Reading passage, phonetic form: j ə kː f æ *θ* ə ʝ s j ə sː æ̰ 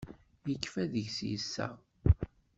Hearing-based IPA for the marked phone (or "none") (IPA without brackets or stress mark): ð